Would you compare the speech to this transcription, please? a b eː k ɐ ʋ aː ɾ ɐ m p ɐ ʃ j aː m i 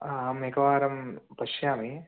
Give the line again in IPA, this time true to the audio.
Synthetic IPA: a m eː k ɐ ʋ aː ɾ ɐ m p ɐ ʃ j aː m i